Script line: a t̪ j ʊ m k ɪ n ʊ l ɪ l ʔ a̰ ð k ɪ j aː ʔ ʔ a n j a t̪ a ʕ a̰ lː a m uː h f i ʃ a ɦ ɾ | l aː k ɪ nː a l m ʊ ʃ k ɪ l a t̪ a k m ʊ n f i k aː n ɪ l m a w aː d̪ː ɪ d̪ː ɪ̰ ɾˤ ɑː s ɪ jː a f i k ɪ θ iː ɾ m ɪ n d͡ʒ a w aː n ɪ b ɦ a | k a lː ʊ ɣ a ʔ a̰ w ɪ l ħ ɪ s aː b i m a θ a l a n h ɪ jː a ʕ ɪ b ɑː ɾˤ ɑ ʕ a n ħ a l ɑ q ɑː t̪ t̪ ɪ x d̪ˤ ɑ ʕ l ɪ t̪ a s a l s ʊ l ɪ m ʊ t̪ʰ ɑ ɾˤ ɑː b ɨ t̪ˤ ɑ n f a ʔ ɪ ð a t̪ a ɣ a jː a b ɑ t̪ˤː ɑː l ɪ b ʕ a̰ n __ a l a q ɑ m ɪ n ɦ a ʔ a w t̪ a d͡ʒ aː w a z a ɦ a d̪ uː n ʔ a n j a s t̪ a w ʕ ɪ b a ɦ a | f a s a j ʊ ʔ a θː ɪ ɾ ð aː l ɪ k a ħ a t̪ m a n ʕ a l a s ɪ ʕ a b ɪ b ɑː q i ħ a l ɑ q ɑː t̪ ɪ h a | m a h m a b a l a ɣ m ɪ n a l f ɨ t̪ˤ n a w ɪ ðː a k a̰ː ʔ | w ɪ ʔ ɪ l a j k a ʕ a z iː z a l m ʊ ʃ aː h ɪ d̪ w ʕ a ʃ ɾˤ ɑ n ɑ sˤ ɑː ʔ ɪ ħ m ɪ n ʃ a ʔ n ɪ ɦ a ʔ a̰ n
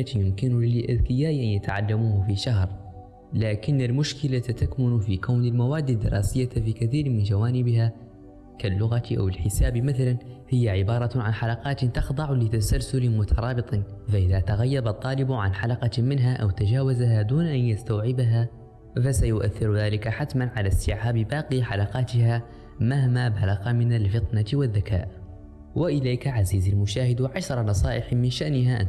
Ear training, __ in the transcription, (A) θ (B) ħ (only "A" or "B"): B